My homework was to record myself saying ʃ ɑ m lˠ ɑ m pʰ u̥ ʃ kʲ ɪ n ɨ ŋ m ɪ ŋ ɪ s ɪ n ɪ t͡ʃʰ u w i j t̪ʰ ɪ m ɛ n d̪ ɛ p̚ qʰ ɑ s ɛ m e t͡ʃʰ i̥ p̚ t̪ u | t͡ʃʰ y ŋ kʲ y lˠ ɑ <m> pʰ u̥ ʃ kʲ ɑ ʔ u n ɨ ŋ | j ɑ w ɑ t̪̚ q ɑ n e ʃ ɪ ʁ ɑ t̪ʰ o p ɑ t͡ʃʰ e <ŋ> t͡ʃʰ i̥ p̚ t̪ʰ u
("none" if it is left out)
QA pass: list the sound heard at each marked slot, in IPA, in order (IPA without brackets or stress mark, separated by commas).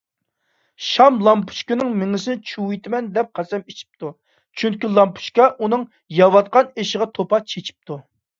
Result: m, none